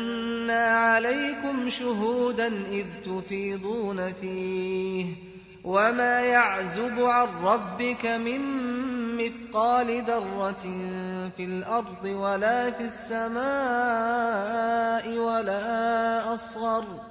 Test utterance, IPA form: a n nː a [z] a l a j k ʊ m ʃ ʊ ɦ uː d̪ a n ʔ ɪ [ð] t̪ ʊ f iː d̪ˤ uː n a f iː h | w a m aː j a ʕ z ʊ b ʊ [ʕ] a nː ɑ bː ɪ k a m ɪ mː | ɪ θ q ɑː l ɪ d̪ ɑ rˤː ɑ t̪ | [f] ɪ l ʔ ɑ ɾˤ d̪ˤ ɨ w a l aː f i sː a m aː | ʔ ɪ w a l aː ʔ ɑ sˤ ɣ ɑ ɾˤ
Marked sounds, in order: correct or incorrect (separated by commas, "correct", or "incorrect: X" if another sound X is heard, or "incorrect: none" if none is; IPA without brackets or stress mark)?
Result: incorrect: ʕ, correct, correct, correct